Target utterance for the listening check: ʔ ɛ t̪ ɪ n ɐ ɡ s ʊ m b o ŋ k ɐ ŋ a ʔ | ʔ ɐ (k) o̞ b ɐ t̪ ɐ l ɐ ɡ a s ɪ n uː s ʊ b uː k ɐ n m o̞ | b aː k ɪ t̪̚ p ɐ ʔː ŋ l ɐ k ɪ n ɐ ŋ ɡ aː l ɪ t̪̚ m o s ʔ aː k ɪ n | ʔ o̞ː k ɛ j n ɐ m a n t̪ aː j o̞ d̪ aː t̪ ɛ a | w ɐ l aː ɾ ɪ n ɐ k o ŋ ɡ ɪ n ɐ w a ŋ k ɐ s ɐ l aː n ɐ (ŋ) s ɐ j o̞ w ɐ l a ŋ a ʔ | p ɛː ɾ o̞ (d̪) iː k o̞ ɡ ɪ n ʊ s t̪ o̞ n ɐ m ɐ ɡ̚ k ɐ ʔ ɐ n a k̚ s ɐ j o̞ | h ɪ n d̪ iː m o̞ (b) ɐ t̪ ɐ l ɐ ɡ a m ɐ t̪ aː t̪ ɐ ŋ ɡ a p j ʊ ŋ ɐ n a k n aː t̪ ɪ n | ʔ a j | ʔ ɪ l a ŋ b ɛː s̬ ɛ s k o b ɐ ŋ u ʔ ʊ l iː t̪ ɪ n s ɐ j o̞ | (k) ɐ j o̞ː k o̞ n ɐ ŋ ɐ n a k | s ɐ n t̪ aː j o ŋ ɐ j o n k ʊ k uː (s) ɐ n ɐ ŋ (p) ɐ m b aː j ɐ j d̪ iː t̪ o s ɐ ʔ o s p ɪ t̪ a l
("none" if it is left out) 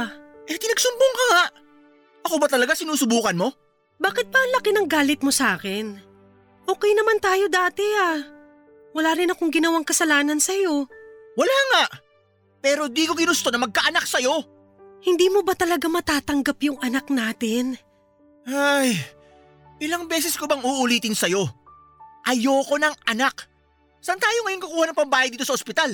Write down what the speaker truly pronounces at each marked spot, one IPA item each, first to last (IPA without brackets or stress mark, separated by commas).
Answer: k, n, d̪, b, ʔ, h, p